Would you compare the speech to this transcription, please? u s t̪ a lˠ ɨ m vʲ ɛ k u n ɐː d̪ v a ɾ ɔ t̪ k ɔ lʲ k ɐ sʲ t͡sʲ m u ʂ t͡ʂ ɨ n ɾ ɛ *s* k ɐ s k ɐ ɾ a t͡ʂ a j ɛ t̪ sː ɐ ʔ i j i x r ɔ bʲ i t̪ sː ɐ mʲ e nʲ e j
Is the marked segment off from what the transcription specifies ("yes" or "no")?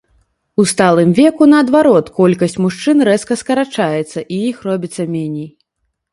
no